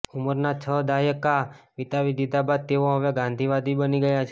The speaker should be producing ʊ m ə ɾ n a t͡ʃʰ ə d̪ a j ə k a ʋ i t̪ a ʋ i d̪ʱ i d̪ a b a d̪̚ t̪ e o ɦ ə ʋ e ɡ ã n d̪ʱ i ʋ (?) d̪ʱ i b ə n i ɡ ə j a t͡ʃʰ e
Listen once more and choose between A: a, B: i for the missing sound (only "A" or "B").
A